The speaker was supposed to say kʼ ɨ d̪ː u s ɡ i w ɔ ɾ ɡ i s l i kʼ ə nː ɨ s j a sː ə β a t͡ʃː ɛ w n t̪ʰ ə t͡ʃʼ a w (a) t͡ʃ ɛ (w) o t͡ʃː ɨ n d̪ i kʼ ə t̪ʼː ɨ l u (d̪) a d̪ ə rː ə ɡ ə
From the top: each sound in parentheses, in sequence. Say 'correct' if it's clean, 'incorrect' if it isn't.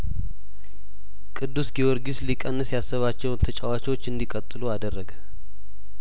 correct, correct, incorrect: none

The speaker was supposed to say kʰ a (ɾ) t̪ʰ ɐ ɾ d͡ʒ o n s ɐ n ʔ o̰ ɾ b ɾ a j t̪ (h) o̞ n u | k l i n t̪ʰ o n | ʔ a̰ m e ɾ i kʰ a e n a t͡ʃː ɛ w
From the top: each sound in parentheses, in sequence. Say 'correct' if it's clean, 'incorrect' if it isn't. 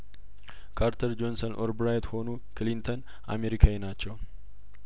correct, correct

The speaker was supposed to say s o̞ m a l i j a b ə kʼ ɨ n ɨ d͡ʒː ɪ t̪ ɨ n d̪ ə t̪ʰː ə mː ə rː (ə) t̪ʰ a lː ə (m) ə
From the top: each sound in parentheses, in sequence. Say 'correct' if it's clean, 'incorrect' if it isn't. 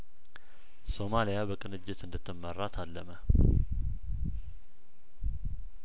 incorrect: a, correct

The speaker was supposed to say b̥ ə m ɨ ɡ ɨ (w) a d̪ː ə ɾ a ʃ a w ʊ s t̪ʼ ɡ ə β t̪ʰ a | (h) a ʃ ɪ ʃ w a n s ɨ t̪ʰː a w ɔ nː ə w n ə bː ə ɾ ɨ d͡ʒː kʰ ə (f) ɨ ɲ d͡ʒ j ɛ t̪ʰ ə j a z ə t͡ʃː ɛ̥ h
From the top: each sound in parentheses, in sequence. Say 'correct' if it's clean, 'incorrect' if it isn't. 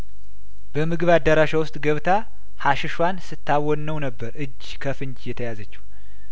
incorrect: β, correct, correct

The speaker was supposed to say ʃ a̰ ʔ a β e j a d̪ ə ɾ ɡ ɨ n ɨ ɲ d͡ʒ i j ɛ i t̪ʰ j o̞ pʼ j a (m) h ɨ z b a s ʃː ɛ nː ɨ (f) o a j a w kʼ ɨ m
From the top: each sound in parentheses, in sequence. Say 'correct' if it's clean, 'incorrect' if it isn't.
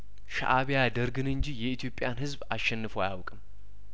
incorrect: n, correct

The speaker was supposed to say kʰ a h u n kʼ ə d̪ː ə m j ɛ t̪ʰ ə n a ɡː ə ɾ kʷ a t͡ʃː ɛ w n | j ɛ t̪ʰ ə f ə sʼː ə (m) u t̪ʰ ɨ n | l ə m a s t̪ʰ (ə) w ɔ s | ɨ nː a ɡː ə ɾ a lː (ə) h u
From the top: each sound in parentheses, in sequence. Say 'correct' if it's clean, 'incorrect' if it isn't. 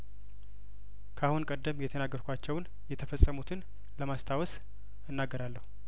correct, incorrect: a, correct

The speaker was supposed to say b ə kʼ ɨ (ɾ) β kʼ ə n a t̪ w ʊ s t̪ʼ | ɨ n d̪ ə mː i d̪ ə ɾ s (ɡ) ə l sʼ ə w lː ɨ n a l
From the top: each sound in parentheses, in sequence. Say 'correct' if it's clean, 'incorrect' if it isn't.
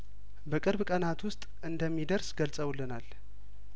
correct, correct

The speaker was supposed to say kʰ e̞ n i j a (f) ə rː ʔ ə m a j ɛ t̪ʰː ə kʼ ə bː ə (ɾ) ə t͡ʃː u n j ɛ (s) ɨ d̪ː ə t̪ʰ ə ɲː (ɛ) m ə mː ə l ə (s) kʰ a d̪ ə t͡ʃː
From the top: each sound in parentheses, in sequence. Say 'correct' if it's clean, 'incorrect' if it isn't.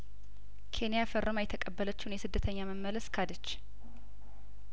correct, incorrect: l, correct, incorrect: a, correct

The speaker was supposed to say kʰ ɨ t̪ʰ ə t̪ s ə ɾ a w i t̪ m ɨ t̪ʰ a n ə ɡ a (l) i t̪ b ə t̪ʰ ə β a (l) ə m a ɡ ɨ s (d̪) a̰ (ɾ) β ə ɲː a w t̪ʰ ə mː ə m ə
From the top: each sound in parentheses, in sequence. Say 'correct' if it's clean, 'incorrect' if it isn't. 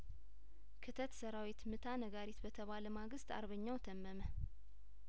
incorrect: ɾ, correct, incorrect: t̪, correct

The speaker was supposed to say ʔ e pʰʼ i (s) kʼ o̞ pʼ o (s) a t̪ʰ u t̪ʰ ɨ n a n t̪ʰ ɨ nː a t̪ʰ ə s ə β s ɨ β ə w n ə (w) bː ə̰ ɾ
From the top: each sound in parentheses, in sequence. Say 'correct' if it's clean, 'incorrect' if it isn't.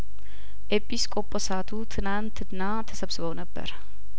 correct, correct, incorrect: none

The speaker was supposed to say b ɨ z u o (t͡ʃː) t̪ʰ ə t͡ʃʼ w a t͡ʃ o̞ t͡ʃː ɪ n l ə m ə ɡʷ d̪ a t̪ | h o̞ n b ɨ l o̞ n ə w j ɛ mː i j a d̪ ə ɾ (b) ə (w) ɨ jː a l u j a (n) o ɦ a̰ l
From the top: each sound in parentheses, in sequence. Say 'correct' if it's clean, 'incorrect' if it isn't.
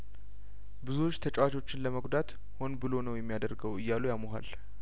correct, incorrect: ɡ, correct, incorrect: m

